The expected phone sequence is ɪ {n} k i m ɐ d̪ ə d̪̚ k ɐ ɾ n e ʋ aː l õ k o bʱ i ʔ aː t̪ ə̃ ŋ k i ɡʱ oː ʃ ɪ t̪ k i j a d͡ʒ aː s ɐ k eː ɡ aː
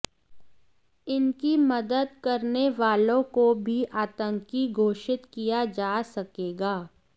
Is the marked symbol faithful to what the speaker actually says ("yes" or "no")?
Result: yes